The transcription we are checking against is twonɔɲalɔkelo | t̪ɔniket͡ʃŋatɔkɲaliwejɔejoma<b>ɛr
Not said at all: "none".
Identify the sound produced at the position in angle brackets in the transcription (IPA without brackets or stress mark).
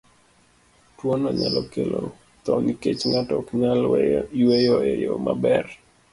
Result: b